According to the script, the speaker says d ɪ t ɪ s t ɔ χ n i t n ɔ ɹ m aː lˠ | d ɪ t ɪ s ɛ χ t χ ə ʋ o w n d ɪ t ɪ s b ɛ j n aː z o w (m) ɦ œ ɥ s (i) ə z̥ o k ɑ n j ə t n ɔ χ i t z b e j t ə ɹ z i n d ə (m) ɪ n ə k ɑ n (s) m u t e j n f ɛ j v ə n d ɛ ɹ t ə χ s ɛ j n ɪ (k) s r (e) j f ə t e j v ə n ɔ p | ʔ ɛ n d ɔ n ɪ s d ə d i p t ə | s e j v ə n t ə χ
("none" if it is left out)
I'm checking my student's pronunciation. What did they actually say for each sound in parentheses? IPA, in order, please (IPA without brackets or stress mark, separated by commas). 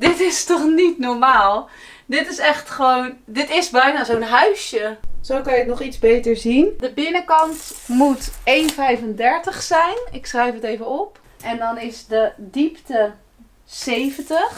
n, j, b, t, k, ɛ